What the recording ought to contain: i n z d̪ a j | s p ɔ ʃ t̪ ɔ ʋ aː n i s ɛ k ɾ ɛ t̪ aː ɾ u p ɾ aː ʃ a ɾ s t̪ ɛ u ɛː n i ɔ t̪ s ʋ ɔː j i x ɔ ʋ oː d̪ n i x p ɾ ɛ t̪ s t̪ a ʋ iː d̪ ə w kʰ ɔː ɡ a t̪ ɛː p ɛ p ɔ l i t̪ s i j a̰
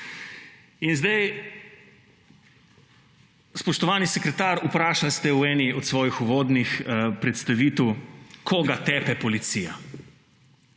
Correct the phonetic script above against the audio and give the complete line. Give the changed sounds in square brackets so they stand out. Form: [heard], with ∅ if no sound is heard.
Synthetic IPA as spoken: i n z d̪ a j | s p ɔ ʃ t̪ ɔ ʋ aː n i s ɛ k ɾ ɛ t̪ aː ɾ u p ɾ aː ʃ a [l] s t̪ ɛ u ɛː n i ɔ t̪ s ʋ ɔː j i x [u] ʋ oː d̪ n i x p ɾ ɛ t̪ s t̪ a ʋ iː [t̪] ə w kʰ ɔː ɡ a t̪ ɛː p ɛ p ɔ l i t̪ s i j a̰